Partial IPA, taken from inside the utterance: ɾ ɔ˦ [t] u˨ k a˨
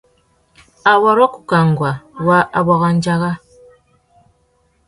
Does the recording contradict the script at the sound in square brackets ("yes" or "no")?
yes